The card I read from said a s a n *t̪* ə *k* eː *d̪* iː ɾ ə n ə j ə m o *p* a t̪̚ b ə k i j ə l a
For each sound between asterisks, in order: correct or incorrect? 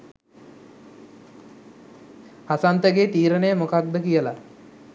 correct, incorrect: ɡ, incorrect: t̪, incorrect: k

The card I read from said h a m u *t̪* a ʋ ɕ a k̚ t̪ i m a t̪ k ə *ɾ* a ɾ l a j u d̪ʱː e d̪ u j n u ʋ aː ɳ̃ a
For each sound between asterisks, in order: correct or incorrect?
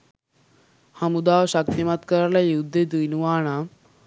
incorrect: d̪, correct

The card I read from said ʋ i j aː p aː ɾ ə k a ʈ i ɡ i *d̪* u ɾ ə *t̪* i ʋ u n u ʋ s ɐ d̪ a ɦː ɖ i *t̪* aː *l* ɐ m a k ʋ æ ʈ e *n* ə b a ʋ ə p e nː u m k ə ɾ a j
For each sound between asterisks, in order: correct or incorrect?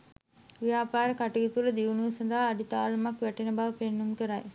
incorrect: t̪, incorrect: d̪, correct, correct, correct

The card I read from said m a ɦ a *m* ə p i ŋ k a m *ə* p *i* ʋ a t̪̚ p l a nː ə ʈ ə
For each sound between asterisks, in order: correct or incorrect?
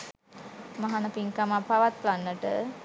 incorrect: n, incorrect: a, incorrect: a

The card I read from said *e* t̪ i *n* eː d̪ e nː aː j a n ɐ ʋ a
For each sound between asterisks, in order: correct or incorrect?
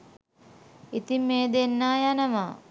incorrect: i, incorrect: m

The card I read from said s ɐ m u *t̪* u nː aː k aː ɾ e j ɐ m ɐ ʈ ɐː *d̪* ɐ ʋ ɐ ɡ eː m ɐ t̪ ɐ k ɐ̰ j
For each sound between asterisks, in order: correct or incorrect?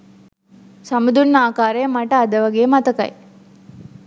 incorrect: d̪, correct

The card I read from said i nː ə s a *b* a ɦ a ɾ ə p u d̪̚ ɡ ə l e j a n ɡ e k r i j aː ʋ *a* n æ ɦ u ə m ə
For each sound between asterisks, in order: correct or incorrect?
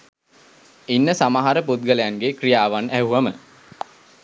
incorrect: m, correct

